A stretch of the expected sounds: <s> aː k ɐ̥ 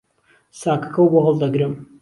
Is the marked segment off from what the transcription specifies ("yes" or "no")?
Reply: no